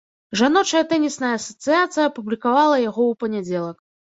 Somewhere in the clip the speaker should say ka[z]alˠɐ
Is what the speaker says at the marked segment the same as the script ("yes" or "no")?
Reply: no